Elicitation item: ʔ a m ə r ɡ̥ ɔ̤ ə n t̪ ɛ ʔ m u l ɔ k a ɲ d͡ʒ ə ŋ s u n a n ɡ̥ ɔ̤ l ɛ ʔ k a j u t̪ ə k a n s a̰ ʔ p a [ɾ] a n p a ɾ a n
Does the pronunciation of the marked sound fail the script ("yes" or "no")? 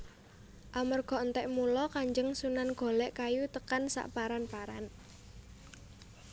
no